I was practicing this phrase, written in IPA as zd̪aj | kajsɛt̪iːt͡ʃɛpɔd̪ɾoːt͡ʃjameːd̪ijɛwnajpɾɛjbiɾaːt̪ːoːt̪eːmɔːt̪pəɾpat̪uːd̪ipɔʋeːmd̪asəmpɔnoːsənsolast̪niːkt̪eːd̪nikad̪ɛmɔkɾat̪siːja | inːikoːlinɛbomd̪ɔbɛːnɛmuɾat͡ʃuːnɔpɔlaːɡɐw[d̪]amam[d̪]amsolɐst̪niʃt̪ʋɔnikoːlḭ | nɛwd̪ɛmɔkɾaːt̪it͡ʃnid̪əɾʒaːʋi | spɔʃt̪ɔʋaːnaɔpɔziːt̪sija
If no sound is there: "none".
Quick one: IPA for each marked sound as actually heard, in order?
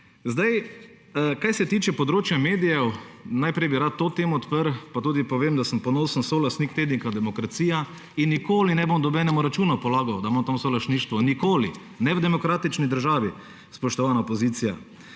d̪, t̪

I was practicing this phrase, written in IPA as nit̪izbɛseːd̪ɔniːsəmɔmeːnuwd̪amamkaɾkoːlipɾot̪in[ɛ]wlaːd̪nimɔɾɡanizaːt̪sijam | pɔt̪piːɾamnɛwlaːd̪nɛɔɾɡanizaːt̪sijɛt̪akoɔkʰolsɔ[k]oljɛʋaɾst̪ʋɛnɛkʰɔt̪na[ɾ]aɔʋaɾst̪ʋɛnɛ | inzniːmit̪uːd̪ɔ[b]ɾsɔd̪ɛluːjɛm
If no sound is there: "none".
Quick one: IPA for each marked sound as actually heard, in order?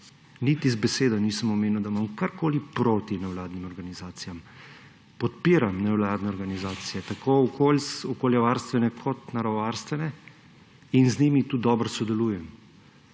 ɛ, k, ɾ, b

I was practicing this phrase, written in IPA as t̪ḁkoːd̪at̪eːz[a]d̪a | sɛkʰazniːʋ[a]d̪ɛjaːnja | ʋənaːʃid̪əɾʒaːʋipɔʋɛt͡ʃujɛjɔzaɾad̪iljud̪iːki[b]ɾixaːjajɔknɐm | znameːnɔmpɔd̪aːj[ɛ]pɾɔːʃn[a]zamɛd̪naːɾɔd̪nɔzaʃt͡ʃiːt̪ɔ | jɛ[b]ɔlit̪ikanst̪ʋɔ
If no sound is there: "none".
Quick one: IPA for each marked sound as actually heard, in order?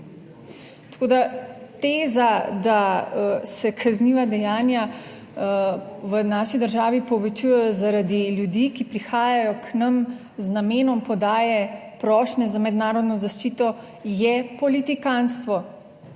a, a, p, ɛ, ɛ, p

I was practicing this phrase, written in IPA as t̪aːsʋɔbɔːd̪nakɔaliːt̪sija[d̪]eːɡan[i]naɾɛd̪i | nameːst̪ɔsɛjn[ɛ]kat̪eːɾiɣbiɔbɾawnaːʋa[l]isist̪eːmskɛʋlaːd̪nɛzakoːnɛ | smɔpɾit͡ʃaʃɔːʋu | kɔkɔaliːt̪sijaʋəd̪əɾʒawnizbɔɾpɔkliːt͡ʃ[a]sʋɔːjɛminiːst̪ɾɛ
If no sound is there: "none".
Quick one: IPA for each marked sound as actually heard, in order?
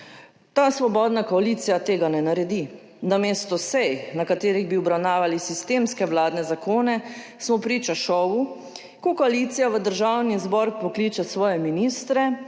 t̪, ɛ, a, l, a

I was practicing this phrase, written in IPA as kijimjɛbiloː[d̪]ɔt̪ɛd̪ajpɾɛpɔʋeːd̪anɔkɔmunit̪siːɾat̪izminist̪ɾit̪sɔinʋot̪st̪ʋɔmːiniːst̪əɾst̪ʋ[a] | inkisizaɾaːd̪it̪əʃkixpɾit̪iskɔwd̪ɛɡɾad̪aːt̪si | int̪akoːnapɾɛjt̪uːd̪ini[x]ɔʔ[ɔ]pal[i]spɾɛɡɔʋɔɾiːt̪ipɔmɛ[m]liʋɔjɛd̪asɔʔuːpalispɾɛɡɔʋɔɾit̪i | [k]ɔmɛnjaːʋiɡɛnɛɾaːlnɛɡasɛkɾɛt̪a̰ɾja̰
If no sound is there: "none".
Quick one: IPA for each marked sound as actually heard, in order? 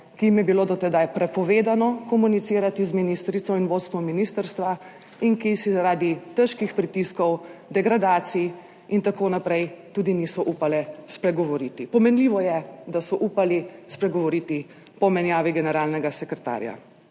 d̪, a, s, u, ɛ, n, p

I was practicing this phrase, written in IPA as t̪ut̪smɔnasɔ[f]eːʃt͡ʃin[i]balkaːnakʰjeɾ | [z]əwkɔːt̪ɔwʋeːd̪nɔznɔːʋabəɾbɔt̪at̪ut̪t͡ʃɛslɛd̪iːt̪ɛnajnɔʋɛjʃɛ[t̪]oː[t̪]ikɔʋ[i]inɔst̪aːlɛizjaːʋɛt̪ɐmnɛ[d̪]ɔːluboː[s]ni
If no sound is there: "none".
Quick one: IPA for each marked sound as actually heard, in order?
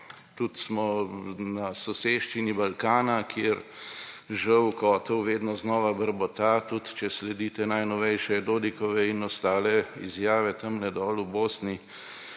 s, i, ʒ, d̪, d̪, ɛ, d̪, s

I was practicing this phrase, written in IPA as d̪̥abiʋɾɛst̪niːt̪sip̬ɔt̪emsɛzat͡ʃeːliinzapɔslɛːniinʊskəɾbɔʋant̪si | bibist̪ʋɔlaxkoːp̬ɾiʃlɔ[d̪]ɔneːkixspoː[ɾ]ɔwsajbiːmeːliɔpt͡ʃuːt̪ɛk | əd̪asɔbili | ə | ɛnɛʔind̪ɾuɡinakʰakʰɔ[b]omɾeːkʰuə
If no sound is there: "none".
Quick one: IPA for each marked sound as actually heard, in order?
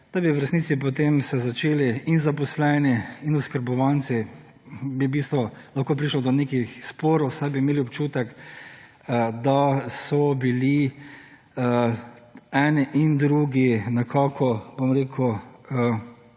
d̪, ɾ, b

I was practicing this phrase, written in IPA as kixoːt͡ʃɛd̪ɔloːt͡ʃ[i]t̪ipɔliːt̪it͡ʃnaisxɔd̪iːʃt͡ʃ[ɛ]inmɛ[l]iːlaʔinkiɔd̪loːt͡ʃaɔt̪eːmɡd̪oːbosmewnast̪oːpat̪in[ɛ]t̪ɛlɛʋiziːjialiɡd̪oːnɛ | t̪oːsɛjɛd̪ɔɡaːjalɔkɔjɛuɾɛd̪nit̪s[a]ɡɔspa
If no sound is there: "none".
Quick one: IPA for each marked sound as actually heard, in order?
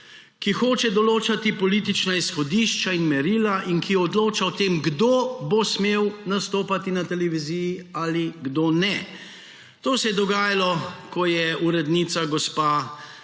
a, a, ɾ, a, a

